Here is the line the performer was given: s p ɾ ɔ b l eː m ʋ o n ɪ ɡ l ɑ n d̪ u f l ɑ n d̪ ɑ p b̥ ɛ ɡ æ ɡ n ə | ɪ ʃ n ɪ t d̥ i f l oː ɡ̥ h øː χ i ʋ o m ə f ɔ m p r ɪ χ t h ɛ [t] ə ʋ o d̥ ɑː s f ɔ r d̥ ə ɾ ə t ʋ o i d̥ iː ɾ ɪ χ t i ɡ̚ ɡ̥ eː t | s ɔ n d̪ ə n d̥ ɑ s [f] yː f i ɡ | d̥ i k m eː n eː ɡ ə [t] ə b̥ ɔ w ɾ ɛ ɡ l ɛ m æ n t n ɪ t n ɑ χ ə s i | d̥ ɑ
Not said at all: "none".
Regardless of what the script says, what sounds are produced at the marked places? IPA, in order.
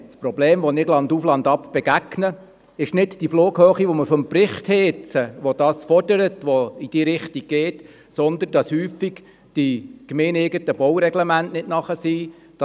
t͡s, h, t

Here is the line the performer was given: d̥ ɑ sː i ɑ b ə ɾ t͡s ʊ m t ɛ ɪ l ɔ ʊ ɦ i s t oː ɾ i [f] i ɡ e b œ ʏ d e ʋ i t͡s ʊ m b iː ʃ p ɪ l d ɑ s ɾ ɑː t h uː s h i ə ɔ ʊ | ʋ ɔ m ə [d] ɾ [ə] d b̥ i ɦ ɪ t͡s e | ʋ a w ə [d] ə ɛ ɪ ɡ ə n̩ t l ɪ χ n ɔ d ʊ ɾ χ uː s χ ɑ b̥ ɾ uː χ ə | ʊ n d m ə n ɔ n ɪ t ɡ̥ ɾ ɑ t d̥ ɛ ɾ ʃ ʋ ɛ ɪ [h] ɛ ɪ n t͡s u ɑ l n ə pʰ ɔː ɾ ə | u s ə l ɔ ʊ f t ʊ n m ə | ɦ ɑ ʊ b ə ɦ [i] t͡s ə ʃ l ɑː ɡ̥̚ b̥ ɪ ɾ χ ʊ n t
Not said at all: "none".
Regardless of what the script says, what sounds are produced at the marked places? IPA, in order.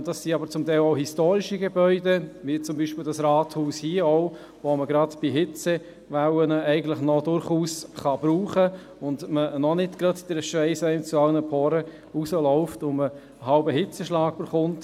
ʃ, ɡ, ɑ, n, s, ɪ

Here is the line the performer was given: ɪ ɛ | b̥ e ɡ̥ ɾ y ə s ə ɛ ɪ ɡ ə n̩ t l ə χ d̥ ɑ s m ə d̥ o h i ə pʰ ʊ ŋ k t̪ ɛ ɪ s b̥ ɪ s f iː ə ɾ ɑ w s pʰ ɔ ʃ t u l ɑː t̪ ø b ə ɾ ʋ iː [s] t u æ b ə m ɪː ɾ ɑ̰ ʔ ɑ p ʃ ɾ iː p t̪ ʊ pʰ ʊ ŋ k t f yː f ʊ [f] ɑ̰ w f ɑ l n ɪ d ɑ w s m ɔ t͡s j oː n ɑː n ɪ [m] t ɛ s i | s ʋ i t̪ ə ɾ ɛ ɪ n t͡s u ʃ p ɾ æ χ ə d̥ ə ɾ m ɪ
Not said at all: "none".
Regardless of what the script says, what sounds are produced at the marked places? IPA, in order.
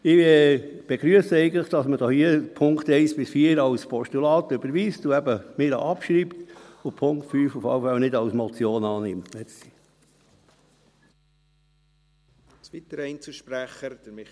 s, f, m

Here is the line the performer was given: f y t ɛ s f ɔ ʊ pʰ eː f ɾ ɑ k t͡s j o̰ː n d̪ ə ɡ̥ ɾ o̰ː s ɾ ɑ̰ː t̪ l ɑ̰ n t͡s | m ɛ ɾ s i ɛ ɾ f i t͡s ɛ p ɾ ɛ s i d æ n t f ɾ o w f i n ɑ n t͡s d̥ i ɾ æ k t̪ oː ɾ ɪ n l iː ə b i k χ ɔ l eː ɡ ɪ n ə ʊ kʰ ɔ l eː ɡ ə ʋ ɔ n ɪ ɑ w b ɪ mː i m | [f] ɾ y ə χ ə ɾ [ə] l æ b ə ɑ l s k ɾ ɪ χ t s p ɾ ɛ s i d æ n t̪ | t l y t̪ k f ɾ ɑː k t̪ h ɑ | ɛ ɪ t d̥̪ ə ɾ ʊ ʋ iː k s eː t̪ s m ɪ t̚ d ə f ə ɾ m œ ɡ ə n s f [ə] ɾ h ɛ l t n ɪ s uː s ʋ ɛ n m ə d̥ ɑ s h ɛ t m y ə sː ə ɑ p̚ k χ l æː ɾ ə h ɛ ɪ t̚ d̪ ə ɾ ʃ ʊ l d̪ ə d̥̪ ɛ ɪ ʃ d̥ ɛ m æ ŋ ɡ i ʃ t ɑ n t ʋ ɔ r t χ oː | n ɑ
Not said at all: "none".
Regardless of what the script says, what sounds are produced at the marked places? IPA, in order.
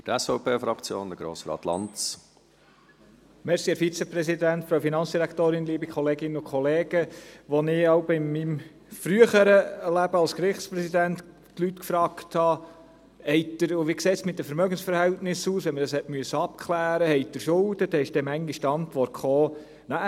f, ə, ə

